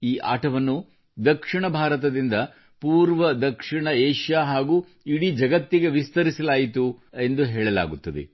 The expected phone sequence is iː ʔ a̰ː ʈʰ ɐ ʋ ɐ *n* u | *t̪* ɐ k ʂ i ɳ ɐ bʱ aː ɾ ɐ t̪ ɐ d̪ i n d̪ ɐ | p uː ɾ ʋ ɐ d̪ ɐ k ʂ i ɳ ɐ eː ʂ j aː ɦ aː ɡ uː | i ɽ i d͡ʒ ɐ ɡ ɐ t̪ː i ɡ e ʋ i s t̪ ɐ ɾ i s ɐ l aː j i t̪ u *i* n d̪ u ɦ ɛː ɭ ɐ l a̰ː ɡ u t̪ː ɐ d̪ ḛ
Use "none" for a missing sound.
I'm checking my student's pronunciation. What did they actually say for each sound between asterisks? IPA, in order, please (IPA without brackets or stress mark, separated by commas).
nː, d̪, e